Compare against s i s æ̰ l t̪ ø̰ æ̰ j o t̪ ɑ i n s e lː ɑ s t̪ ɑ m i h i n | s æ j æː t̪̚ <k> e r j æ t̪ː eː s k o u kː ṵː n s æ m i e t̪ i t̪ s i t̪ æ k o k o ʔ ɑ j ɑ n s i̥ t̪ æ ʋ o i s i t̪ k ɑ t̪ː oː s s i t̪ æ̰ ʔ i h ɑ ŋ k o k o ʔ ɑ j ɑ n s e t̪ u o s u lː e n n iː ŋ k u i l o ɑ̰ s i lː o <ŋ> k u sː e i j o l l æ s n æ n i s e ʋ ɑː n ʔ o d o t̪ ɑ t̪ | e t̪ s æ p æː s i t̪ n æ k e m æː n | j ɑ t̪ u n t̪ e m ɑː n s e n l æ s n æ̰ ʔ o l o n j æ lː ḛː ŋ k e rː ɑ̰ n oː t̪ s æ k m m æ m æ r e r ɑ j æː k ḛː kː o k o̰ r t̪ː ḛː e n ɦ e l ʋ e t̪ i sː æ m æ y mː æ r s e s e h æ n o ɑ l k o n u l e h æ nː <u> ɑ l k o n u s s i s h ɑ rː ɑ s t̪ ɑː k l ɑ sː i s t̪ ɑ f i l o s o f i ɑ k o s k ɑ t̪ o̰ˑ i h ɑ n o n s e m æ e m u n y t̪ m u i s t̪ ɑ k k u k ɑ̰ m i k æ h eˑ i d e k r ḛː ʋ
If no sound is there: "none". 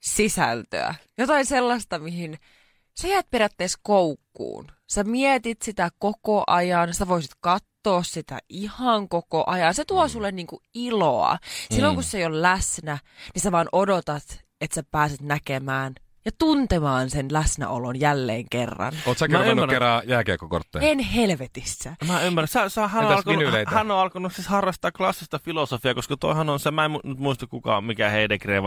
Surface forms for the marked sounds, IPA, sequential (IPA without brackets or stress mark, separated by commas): p, ŋ, o